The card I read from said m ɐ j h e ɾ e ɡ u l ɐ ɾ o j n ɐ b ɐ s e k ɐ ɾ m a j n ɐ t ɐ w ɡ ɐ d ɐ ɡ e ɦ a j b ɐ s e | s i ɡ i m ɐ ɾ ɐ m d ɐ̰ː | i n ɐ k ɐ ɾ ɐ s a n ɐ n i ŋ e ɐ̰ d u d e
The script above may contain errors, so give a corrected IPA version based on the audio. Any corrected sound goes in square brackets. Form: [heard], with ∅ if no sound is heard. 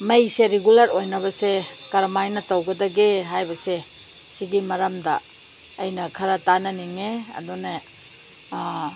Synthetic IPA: m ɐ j [s] e ɾ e ɡ u l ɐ ɾ o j n ɐ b ɐ s e k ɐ ɾ m a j n ɐ t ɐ w ɡ ɐ d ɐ ɡ e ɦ a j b ɐ s e | s i ɡ i m ɐ ɾ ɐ m d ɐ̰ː | [j] n ɐ [kʰ] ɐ ɾ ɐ [t] a n ɐ n i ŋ e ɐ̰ d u [n] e